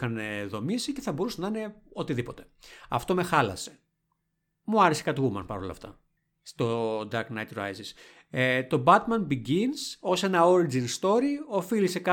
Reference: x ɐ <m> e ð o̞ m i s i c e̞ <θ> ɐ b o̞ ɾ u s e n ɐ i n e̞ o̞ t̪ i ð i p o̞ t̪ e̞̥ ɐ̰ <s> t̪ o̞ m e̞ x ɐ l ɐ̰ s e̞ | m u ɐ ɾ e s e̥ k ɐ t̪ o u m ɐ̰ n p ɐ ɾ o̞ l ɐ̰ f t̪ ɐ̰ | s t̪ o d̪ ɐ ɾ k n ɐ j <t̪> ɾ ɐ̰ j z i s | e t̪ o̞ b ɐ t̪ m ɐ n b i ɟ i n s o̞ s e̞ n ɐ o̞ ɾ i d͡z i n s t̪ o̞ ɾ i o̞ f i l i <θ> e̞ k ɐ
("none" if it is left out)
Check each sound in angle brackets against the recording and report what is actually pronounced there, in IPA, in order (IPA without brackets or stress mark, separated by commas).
n, θ, f, t̪, s